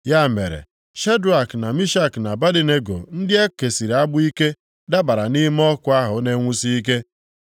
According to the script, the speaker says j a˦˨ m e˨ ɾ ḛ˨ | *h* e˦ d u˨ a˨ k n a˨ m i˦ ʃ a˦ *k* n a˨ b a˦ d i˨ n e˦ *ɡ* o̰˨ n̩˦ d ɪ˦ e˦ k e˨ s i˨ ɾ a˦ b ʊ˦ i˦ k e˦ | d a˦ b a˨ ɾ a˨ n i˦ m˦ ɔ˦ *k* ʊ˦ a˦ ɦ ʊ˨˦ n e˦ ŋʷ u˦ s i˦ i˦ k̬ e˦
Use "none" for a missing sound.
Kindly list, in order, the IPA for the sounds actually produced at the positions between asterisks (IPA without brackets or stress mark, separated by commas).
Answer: ʃ, k, ɡ, k